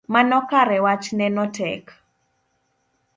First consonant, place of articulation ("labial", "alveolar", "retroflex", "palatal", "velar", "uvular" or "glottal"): labial